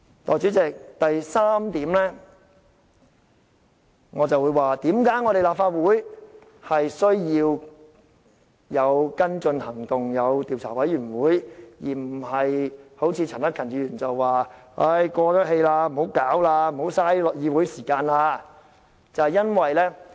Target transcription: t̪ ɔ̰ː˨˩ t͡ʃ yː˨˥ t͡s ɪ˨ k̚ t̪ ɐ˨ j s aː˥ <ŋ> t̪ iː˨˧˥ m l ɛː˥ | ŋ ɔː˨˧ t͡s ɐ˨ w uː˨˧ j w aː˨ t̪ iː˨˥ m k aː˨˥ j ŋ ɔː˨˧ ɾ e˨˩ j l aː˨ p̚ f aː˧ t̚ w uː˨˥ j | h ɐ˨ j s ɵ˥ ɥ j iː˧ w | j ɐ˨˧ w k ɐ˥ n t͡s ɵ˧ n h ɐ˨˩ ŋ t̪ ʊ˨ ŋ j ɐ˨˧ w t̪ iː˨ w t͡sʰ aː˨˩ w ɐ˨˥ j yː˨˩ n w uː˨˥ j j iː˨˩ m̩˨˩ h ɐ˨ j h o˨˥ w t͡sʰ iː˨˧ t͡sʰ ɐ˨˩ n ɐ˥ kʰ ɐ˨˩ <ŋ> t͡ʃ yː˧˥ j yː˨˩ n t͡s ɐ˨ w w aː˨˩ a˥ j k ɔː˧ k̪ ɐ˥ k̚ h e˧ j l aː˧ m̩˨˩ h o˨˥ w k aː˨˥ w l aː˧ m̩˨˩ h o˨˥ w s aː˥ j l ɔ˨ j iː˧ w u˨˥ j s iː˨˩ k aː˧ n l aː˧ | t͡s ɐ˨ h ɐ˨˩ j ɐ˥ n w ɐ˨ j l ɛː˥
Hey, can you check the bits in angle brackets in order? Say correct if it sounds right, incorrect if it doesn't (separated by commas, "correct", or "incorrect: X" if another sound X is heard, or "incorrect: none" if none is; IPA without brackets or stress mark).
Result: incorrect: m, incorrect: n